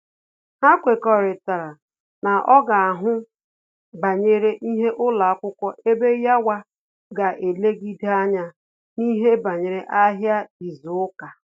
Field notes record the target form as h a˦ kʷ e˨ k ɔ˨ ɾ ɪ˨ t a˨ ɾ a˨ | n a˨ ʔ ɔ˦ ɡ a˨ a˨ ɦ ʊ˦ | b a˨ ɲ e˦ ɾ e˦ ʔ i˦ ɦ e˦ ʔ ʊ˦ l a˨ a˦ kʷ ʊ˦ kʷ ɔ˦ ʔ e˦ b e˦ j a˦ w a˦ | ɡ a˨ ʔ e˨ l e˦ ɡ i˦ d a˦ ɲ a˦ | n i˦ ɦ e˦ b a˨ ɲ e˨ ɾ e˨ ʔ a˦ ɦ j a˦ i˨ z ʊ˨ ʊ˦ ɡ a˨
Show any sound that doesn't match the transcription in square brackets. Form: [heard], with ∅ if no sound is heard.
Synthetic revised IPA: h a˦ kʷ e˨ k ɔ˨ ɾ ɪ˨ t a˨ ɾ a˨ | n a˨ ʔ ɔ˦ ɡ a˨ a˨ ɦ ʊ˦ | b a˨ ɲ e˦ ɾ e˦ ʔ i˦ ɦ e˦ ʔ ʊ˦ l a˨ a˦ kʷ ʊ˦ kʷ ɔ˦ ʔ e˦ b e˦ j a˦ w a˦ | ɡ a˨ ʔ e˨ l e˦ ɡ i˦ d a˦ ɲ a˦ | n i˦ ɦ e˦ b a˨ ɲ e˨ ɾ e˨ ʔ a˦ ɦ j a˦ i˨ z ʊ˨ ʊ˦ [k] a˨

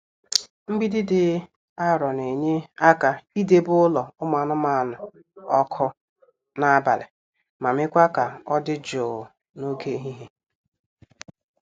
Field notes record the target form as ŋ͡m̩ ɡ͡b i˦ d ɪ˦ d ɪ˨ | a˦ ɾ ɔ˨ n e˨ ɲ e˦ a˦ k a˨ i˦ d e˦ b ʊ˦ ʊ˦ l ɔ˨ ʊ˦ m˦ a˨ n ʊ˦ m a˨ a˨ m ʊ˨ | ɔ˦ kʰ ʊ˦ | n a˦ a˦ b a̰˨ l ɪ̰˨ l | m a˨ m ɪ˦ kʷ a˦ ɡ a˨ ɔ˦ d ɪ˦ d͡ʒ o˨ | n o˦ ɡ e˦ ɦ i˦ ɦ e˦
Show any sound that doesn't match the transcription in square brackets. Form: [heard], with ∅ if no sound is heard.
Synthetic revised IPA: ŋ͡m̩ ɡ͡b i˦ d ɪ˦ d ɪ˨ | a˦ ɾ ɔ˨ n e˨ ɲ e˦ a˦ k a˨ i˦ d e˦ b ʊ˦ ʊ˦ l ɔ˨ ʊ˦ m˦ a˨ n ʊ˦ m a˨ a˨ [n] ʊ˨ | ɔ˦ kʰ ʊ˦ | n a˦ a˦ b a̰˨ l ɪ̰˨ [∅] | m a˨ m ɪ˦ kʷ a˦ [k] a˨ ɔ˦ d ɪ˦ d͡ʒ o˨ | n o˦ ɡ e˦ ɦ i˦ ɦ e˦

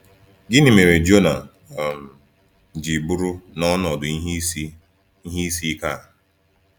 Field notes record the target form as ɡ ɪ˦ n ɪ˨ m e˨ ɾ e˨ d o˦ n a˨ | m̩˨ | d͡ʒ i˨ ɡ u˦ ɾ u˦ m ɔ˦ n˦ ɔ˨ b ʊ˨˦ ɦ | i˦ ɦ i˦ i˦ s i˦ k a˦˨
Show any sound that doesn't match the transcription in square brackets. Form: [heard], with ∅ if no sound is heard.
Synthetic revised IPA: ɡ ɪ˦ n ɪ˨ m e˨ ɾ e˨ [d͡ʒ] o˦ n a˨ | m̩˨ | d͡ʒ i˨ [b] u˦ ɾ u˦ [n] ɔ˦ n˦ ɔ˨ [d] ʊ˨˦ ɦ | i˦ ɦ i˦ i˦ s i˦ k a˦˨

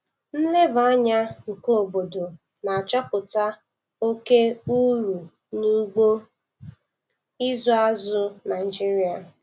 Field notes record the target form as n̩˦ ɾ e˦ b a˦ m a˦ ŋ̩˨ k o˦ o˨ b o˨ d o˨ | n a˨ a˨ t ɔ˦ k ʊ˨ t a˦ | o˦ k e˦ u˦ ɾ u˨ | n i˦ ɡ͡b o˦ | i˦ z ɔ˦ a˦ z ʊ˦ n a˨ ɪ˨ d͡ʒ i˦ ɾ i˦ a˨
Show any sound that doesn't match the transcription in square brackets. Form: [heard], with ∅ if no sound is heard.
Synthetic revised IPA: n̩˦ [l] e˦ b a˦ [ɲ] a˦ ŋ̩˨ k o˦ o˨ b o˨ d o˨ | n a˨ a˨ [t͡ʃ] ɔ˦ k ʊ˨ t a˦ | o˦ k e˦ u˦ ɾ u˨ | n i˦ ɡ͡b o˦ | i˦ z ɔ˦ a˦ z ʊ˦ n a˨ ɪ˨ d͡ʒ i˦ ɾ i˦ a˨

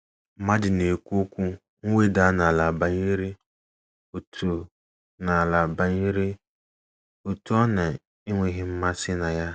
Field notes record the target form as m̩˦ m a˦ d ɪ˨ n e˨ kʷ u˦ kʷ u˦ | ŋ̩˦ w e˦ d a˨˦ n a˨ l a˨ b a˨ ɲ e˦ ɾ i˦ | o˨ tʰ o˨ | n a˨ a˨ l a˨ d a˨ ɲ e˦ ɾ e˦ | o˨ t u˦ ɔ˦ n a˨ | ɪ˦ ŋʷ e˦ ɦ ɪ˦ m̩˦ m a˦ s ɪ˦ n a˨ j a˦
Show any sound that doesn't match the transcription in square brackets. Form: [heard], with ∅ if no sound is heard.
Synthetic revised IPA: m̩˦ m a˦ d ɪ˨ n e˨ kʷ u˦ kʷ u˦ | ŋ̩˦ w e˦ d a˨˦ n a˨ l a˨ b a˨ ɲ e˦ ɾ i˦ | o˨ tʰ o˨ | n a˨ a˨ l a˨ [b] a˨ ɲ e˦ ɾ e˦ | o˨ t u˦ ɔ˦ n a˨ | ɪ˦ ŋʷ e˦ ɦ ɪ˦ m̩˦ m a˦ s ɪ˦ n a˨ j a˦

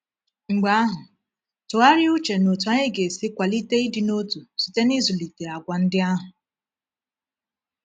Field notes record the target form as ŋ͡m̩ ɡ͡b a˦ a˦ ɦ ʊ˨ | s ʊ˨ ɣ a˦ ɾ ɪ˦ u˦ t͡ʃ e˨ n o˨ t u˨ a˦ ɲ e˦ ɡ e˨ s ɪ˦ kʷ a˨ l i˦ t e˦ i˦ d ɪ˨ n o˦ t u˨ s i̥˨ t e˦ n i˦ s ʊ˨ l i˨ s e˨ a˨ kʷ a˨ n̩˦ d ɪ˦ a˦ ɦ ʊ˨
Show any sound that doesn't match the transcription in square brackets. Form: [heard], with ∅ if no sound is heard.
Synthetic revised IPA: ŋ͡m̩ ɡ͡b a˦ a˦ ɦ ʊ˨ | [t] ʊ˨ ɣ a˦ ɾ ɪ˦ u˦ t͡ʃ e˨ n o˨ t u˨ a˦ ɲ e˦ ɡ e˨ s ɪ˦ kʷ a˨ l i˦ t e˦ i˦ d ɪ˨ n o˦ t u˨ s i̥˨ t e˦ n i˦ [z] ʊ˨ l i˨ [t] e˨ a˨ [ɡʷ] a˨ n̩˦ d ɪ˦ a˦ ɦ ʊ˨

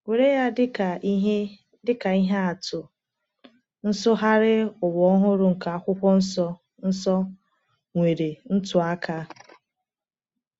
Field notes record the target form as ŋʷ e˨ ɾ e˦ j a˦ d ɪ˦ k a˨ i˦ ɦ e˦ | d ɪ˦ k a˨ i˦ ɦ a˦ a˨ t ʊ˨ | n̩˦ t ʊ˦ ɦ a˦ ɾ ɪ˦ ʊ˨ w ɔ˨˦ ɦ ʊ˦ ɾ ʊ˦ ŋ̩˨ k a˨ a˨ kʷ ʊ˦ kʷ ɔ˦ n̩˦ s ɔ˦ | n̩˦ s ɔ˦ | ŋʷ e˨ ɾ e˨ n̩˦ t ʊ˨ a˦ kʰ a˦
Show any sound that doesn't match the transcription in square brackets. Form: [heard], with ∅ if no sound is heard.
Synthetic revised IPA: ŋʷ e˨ ɾ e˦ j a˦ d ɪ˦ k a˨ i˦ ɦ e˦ | d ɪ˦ k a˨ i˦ ɦ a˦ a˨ t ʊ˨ | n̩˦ [s] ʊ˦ ɦ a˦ ɾ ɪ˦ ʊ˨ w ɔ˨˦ ɦ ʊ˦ ɾ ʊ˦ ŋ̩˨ k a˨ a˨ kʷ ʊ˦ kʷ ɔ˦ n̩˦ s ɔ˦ | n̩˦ s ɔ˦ | ŋʷ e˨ ɾ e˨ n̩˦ t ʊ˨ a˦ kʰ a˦

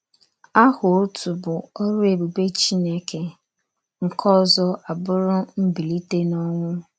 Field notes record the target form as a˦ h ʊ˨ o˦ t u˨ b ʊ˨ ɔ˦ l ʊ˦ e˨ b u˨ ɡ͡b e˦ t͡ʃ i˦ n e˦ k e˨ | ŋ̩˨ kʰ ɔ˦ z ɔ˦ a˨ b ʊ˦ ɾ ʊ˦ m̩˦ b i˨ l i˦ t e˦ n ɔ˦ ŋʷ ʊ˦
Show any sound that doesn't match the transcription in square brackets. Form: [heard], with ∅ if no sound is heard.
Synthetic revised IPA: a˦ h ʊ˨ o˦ t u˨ b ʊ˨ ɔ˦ [ɾ] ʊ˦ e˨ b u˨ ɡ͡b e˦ t͡ʃ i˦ n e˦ k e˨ | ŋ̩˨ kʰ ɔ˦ z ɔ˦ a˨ b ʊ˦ ɾ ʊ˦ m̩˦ b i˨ l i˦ t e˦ n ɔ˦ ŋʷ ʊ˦

